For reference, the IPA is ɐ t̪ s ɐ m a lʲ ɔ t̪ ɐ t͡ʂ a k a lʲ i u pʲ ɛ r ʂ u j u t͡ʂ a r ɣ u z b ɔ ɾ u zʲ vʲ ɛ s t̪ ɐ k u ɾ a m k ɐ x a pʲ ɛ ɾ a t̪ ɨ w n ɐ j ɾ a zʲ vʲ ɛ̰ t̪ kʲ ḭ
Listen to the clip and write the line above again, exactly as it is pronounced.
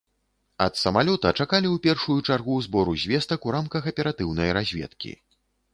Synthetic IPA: ɐ t̪ s ɐ m a lʲ ɔ t̪ ɐ t͡ʂ a k a lʲ i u pʲ ɛ r ʂ u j u t͡ʂ a r ɣ u z b ɔ ɾ u zʲ vʲ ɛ s t̪ ɐ k u ɾ a m k ɐ x ɐ pʲ ɛ ɾ a t̪ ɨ w n ɐ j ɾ a zʲ vʲ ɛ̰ t̪ kʲ ḭ